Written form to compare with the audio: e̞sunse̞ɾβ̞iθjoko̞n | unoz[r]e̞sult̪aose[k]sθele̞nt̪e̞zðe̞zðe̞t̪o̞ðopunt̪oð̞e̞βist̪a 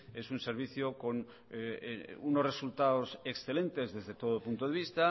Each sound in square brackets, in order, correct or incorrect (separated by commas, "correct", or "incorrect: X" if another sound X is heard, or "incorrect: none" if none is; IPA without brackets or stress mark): correct, correct